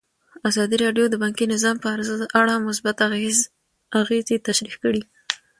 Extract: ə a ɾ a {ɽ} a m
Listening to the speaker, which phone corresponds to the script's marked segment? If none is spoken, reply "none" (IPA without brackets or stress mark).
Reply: ɽ